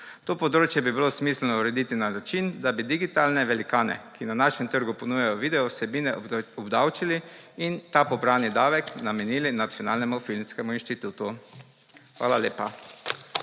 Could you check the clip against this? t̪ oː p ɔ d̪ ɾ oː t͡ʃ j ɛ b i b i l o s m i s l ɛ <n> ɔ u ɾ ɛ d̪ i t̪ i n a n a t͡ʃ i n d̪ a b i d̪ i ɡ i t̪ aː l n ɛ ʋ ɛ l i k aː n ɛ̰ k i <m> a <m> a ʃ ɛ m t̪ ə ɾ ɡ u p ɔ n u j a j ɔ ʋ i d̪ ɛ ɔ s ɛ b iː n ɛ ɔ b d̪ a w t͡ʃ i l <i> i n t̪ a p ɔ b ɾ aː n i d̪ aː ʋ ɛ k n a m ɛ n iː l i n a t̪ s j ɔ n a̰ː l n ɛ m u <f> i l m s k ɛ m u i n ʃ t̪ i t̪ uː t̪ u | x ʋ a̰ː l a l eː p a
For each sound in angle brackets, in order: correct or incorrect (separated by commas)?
correct, incorrect, incorrect, correct, correct